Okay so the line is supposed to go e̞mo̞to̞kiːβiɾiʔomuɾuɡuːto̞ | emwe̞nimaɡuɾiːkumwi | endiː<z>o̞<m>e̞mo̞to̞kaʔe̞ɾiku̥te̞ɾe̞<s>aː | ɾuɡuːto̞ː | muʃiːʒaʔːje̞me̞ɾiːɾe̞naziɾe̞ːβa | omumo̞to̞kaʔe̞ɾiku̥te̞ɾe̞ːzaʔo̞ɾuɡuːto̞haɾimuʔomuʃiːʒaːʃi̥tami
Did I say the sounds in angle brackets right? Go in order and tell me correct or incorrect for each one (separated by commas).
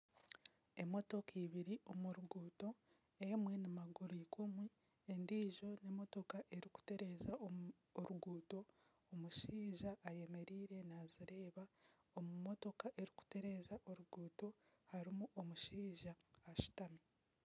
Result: incorrect, incorrect, incorrect